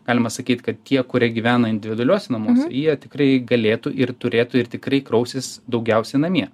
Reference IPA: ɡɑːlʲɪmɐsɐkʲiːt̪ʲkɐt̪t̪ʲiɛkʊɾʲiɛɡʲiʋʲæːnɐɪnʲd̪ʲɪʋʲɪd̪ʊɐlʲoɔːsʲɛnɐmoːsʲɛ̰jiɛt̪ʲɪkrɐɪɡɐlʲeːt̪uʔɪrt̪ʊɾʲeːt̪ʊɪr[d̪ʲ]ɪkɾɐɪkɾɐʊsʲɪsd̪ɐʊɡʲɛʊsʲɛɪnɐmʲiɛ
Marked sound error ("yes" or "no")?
yes